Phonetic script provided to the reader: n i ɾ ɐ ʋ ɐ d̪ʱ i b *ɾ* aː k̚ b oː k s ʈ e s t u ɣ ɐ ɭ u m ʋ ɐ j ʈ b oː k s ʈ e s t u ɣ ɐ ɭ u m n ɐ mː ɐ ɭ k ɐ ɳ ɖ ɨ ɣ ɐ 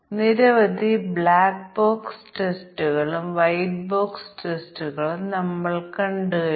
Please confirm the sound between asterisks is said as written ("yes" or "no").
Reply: no